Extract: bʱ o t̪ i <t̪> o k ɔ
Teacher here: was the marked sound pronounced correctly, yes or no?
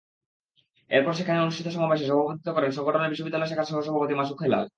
yes